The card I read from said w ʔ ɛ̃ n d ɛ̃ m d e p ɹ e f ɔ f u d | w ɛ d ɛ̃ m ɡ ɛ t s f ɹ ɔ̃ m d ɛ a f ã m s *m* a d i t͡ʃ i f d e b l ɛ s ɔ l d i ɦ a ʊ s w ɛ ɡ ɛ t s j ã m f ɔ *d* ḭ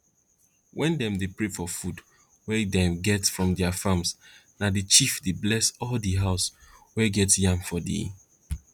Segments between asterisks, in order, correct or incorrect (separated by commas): incorrect, correct